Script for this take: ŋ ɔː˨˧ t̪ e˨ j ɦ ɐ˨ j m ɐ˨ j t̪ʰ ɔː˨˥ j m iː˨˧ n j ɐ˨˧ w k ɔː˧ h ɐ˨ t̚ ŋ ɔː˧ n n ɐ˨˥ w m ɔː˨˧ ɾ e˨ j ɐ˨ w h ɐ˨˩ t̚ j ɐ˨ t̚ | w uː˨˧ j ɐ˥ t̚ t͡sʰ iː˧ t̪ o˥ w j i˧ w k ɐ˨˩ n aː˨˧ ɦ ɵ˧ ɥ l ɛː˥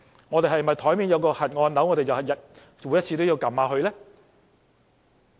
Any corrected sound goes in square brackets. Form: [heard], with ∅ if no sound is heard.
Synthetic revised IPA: ŋ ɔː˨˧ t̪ e˨ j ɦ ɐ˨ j m ɐ˨ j t̪ʰ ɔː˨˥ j m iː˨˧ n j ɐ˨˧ w k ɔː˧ h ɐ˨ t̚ ŋ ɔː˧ n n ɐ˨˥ w [ŋ] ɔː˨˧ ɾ e˨ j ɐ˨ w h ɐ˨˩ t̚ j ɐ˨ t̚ | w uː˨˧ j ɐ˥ t̚ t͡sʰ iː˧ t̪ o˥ w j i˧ w k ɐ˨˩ [m] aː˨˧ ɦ ɵ˧ ɥ l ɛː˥